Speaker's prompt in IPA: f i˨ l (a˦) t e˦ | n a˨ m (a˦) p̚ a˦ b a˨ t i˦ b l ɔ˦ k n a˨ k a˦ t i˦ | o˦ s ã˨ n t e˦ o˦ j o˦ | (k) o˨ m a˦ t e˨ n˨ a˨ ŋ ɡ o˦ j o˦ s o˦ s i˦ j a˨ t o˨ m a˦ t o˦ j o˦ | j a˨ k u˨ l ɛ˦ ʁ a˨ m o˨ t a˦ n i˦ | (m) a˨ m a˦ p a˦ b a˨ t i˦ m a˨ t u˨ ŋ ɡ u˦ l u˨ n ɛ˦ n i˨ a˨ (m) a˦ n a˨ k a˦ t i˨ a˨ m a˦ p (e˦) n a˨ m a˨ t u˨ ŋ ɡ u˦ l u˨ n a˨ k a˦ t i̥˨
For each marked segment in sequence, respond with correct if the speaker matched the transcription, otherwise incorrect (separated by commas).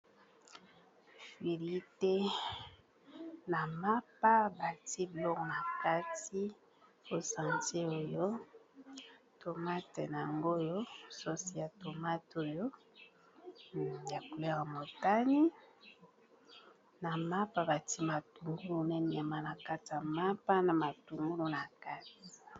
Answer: incorrect, correct, incorrect, incorrect, correct, incorrect